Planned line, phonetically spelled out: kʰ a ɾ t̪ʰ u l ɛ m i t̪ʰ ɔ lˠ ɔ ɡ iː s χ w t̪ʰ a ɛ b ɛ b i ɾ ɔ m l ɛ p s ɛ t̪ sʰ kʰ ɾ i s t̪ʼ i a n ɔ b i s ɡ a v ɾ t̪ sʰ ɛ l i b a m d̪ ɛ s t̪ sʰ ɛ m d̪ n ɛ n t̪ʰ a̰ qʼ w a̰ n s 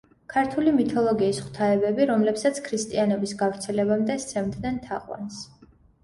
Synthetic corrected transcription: kʰ a ɾ t̪ʰ u l i m i t̪ʰ ɔ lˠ ɔ ɡ iː s χ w t̪ʰ a ɛ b ɛ b i ɾ ɔ m l ɛ p s a t̪ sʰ kʰ ɾ i s t̪ʼ i a n ɔ b i s ɡ a v ɾ t̪ sʰ ɛ l ɛ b a m d̪ ɛ s t̪ sʰ ɛ m d̪ n ɛ n t̪ʰ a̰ qʼ w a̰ n s